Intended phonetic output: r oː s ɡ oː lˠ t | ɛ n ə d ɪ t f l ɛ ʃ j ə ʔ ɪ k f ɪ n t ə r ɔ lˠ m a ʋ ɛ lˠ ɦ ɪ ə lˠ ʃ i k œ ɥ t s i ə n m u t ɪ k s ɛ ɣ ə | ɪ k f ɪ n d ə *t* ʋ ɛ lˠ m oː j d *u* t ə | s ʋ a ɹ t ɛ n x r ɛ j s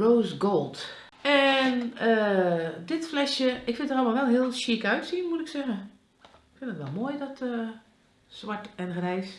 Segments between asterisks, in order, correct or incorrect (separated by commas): correct, incorrect